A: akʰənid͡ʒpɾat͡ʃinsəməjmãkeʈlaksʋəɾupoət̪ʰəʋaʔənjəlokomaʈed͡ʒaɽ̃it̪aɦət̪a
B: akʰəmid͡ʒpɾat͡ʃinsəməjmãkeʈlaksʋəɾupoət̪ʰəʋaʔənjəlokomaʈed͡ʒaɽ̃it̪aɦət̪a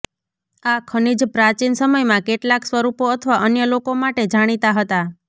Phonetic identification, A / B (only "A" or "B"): A